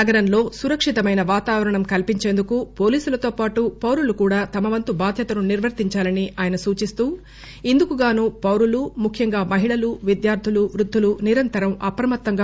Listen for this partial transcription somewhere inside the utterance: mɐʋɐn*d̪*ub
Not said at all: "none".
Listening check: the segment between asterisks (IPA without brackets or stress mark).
t̪